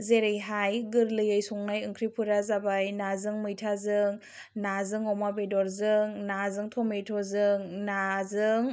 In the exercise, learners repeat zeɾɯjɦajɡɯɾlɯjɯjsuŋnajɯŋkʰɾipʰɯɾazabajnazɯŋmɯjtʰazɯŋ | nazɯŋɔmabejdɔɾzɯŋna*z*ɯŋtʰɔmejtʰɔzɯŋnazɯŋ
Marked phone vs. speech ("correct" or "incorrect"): correct